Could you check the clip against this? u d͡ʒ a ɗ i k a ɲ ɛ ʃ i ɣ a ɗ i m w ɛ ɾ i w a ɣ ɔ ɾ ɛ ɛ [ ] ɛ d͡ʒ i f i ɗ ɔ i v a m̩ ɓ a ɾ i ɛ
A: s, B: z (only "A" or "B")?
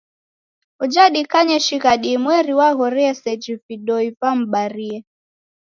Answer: A